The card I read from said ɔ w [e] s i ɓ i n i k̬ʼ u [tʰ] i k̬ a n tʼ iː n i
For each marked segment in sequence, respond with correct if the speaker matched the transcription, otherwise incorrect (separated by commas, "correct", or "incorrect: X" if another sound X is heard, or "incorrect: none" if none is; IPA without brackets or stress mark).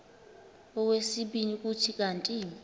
correct, correct